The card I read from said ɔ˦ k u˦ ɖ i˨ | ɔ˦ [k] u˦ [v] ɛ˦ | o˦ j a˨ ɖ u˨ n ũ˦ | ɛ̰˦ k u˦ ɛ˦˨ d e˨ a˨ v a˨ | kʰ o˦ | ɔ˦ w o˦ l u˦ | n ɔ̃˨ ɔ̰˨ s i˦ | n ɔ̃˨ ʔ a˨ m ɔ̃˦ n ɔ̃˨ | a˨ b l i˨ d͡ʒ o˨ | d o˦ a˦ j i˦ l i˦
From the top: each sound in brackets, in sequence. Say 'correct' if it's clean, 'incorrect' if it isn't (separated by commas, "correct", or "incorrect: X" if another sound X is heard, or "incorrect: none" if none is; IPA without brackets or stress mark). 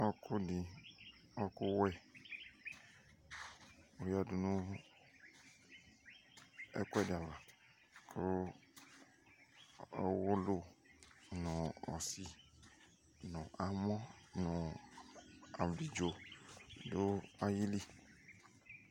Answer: correct, incorrect: w